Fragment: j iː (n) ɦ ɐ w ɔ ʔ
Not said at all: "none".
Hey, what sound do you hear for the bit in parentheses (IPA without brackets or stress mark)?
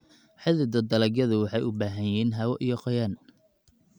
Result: n